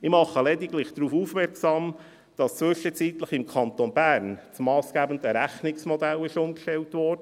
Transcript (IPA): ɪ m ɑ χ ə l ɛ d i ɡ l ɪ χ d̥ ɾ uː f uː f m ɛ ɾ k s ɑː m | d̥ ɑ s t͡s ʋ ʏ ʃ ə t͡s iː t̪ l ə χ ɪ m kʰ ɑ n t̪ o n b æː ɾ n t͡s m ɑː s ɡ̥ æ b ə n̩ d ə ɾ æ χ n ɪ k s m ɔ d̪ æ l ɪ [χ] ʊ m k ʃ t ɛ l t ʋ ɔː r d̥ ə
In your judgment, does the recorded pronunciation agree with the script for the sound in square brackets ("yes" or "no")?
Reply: no